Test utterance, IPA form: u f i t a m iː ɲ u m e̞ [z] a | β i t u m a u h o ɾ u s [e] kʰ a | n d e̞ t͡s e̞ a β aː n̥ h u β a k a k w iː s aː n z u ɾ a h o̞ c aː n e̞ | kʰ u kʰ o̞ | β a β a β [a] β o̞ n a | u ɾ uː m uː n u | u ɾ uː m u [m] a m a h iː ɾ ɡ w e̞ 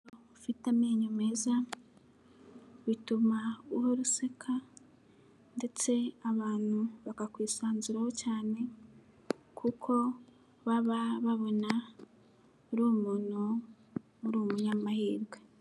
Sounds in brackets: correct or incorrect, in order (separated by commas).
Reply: correct, correct, correct, incorrect